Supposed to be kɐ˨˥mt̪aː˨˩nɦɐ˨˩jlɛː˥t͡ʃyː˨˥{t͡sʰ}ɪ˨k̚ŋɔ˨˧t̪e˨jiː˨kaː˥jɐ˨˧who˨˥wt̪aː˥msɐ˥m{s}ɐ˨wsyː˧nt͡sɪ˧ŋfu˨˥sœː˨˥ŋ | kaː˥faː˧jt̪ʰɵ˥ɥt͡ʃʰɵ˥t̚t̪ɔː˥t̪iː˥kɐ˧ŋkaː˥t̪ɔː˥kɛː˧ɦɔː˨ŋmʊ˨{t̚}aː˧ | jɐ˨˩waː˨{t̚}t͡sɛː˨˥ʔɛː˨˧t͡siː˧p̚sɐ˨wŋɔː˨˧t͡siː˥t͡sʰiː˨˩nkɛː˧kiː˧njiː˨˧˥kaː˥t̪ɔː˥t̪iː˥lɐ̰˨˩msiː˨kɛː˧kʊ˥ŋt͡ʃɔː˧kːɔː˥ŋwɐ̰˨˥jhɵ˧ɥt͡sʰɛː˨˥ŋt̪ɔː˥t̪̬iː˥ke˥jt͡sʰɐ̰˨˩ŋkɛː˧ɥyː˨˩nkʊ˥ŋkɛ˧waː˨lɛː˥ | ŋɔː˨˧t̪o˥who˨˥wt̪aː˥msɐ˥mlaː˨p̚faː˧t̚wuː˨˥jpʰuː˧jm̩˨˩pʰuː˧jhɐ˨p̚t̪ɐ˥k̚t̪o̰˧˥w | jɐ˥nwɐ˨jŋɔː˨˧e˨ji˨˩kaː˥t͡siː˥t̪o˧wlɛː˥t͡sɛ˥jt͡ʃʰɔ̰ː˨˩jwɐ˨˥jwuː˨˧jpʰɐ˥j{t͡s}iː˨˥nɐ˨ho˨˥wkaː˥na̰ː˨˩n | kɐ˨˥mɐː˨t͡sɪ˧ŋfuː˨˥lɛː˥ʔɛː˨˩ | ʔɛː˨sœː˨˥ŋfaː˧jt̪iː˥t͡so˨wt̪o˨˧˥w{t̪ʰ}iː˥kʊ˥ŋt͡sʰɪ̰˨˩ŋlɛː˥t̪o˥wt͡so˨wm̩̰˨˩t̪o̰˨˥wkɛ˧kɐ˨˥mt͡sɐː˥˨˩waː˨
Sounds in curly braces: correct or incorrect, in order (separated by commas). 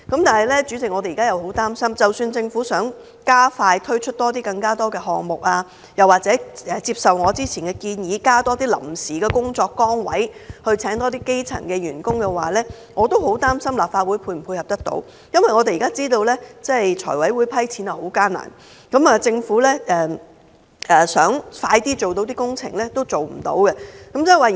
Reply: incorrect, incorrect, incorrect, incorrect, incorrect, incorrect